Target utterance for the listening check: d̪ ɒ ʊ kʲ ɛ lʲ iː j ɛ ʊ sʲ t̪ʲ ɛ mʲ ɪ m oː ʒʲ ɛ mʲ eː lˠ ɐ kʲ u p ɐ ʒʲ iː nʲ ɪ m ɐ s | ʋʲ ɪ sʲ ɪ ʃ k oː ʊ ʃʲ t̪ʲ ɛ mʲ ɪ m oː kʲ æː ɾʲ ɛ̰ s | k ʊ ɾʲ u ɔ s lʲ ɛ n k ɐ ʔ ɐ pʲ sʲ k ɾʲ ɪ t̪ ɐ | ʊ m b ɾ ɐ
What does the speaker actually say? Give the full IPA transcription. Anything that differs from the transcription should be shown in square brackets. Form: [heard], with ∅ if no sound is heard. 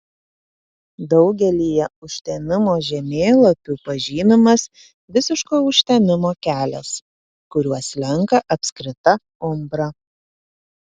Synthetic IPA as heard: d̪ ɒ ʊ [ɡʲ] ɛ lʲ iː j ɛ ʊ [ʃʲ] t̪ʲ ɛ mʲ ɪ m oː ʒʲ ɛ mʲ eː lˠ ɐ [pʲ] u p ɐ ʒʲ iː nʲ ɪ m ɐ s | ʋʲ ɪ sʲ ɪ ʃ k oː ʊ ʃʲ t̪ʲ ɛ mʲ ɪ m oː kʲ æː [lʲ] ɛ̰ s | k ʊ ɾʲ u ɔ s lʲ ɛ [ŋ] k ɐ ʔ ɐ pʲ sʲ k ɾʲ ɪ t̪ ɐ | ʊ m b ɾ ɐ